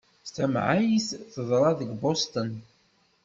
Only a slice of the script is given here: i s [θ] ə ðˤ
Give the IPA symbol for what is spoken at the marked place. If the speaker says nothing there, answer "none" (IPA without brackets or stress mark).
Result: θ